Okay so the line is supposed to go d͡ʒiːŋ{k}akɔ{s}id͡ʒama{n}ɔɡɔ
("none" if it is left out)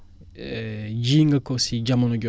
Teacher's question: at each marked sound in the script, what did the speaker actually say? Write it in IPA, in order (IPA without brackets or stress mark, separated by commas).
ɡ, s, n